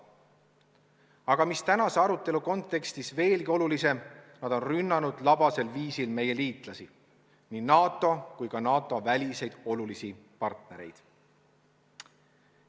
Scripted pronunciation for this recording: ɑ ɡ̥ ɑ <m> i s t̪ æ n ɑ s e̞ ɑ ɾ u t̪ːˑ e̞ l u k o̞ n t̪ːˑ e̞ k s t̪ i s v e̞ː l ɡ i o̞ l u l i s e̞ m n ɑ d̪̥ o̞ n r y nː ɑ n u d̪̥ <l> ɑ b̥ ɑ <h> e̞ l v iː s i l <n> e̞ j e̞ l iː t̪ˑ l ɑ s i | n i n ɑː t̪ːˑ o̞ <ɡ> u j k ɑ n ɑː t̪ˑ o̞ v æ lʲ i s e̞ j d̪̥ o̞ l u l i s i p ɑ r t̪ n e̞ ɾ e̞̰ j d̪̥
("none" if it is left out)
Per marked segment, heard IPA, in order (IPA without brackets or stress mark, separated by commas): m, l, s, m, k